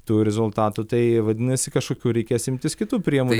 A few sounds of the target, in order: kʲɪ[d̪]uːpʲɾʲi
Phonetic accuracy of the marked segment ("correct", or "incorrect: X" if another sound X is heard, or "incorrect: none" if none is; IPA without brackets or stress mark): incorrect: t̪